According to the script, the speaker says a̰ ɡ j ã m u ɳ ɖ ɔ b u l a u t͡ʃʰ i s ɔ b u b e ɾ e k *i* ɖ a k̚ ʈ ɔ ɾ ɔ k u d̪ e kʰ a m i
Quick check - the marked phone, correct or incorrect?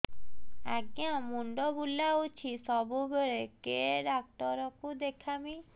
incorrect